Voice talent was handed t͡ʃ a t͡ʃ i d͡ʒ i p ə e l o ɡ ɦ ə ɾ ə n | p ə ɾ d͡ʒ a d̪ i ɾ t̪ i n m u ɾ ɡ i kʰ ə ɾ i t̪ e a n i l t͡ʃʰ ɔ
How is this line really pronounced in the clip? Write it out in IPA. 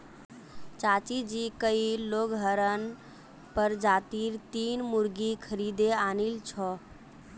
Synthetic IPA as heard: t͡ʃ a t͡ʃ i d͡ʒ i k ə i l o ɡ ɦ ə ɾ ə n | p ə ɾ d͡ʒ a t̪ i ɾ t̪ i n m u ɾ ɡ i kʰ ə ɾ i d̪ e a n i l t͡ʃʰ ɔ